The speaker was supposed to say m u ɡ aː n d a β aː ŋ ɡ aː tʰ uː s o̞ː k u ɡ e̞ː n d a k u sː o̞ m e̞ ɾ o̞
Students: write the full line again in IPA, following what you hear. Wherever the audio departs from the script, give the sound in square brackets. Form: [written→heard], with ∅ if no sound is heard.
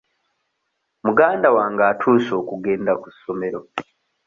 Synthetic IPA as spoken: m u ɡ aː n d a [β→w] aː ŋ ɡ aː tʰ uː s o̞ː k u ɡ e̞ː n d a k u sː o̞ m e̞ ɾ o̞